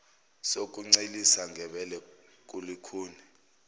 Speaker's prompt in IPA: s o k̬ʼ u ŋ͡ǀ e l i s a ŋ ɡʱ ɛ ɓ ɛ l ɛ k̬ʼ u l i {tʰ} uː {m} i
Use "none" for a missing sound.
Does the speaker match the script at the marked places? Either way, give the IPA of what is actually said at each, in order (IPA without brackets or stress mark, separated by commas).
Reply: kʰ, n